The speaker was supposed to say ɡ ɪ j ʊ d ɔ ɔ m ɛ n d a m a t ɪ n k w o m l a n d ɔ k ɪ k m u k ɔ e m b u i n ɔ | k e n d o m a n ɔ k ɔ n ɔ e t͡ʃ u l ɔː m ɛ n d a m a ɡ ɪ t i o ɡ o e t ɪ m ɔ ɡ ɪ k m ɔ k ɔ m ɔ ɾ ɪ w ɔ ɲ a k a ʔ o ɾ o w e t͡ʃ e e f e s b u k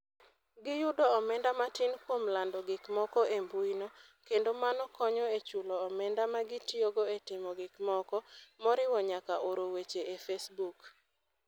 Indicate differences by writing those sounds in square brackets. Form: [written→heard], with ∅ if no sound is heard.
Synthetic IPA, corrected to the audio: ɡ ɪ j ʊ d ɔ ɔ m ɛ n d a m a t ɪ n k w o m l a n d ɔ [k→ɡ] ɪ k m [u→ɔ] k ɔ e m b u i n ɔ | k e n d o m a n ɔ k ɔ [n→ɲ] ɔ e t͡ʃ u l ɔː m ɛ n d a m a ɡ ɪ t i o ɡ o e t ɪ m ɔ ɡ ɪ k m ɔ k ɔ m ɔ ɾ ɪ w ɔ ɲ a k a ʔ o ɾ o w e t͡ʃ e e f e s b u k